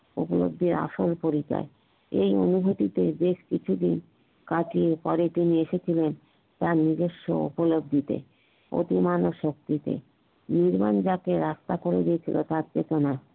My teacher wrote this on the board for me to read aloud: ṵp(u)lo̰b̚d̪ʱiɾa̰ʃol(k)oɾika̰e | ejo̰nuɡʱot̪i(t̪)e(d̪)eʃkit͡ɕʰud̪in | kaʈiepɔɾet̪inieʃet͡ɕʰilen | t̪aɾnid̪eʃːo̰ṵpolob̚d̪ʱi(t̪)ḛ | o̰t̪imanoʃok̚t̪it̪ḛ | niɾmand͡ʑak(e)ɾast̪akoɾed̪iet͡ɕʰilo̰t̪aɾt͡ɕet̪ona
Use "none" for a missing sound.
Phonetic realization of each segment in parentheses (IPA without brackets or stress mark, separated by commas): o, p, t̪, d̪, t̪, e